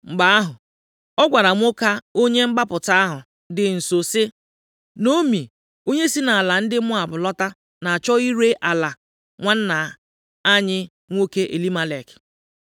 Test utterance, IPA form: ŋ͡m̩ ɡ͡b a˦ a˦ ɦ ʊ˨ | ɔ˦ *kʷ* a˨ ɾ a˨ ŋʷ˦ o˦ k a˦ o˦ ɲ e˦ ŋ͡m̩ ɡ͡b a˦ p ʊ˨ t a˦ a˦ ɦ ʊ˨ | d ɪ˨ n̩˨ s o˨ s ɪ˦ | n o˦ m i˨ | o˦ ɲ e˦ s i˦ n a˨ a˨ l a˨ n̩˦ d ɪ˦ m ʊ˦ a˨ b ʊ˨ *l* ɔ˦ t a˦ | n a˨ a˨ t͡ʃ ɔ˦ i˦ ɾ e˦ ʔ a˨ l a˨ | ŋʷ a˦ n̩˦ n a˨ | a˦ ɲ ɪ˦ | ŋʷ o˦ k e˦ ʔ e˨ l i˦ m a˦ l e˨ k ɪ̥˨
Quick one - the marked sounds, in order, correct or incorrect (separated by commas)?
incorrect, correct